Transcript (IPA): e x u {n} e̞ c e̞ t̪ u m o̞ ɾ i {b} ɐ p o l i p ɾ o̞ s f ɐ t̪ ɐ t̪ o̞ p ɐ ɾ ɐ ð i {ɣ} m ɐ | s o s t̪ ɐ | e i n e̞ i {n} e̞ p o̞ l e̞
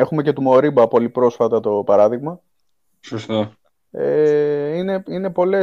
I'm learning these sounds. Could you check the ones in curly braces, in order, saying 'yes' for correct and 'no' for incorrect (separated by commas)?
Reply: no, yes, yes, yes